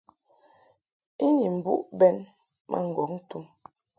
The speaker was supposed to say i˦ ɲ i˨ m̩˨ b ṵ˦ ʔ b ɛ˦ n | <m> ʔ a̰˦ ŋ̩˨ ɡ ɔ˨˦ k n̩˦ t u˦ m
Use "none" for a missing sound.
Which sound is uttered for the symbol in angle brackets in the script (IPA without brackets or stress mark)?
m